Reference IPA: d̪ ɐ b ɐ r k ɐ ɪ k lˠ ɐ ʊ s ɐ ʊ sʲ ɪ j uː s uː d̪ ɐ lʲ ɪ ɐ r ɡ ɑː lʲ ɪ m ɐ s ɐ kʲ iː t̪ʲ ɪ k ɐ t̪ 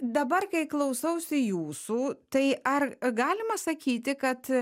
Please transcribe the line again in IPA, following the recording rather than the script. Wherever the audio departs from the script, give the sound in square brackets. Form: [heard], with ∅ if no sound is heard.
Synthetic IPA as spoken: d̪ ɐ b ɐ r k ɐ ɪ k lˠ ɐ ʊ s ɐ ʊ sʲ ɪ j uː s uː [t̪] ɐ [∅] ɪ ɐ r ɡ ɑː lʲ ɪ m ɐ s ɐ kʲ iː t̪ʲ ɪ k ɐ t̪